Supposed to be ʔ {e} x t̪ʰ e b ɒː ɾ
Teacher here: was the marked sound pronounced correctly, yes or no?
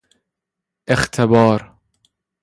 yes